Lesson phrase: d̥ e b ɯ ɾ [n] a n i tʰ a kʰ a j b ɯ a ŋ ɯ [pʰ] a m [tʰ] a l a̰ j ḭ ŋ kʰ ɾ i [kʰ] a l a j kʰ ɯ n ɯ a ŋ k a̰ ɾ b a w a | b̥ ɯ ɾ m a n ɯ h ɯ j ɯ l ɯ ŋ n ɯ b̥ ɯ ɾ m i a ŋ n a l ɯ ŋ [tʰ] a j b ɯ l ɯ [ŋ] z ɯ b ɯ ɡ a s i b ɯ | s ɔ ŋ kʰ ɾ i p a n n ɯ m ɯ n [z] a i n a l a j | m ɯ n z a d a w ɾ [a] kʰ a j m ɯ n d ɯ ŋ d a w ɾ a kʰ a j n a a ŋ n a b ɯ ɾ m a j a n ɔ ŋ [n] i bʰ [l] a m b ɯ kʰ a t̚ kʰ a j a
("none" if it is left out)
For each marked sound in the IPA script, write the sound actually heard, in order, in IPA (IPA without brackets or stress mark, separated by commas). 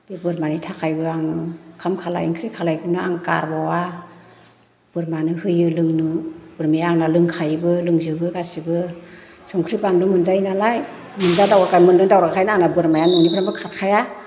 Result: m, kʰ, kʰ, kʰ, kʰ, ŋ, z, a, n, ɾ